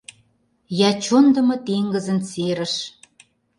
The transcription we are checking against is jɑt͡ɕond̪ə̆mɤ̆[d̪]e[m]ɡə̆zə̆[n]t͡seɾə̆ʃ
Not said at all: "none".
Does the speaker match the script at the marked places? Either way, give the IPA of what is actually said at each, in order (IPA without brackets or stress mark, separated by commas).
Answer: t̪, ŋ, n